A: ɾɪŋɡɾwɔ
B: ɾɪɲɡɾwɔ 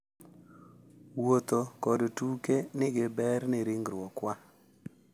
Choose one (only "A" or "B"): A